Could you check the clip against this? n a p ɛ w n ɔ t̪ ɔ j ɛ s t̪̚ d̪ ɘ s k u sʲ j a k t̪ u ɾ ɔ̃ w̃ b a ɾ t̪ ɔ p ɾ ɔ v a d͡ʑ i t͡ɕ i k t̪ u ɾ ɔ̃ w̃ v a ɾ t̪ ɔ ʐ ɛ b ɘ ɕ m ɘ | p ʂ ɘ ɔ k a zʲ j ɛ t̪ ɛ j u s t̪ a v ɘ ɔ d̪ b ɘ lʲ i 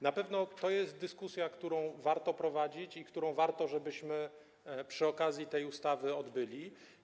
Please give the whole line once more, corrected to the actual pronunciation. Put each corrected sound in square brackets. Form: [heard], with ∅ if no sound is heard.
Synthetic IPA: n a p ɛ [v] n ɔ t̪ ɔ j ɛ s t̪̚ d̪ ɘ s k u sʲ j a k t̪ u ɾ ɔ̃ w̃ [v] a ɾ t̪ ɔ p ɾ ɔ v a d͡ʑ i t͡ɕ i k t̪ u ɾ ɔ̃ w̃ v a ɾ t̪ ɔ ʐ ɛ b ɘ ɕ m ɘ | p ʂ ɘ ɔ k a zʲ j [i] t̪ ɛ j u s t̪ a v ɘ ɔ d̪ b ɘ lʲ i